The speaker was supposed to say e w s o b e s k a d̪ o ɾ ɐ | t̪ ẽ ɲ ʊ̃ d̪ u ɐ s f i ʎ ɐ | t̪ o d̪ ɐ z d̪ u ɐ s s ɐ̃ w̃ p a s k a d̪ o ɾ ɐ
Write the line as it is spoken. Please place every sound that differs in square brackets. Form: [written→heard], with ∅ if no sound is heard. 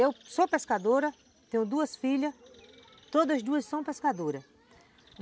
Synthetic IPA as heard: e w s o [b→p] e s k a d̪ o ɾ ɐ | t̪ ẽ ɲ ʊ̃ d̪ u ɐ s f i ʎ ɐ | t̪ o d̪ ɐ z d̪ u ɐ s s ɐ̃ w̃ p [a→e] s k a d̪ o ɾ ɐ